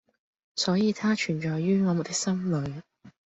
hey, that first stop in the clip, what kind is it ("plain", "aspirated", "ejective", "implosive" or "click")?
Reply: aspirated